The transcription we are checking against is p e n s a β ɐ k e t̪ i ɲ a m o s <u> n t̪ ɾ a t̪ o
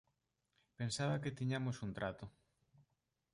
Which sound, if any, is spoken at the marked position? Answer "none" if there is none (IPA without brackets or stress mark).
u